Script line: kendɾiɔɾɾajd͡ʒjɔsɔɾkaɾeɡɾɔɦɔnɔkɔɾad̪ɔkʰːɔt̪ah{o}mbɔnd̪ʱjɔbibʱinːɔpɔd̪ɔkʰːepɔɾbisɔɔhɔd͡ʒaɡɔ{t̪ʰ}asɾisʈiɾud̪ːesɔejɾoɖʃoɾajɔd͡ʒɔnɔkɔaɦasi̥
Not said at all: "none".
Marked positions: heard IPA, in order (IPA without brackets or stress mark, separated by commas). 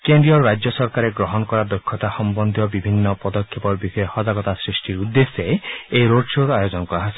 ɔ, t̪